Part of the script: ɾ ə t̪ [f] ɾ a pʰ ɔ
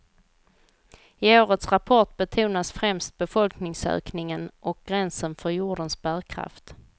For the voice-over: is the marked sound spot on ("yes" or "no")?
no